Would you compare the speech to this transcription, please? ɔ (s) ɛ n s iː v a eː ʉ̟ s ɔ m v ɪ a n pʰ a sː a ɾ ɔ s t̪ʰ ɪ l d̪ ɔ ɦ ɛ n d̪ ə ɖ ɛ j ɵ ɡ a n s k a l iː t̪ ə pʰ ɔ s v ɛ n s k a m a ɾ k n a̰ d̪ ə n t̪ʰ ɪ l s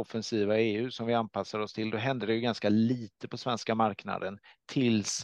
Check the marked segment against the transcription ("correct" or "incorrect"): incorrect